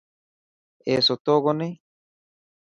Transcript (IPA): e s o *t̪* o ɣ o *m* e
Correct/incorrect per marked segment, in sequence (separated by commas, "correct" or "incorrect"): correct, incorrect